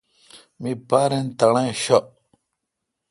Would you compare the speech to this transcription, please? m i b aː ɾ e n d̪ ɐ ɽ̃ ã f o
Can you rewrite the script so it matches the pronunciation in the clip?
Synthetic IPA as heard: m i p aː ɾ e n t̪ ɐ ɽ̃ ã ɕ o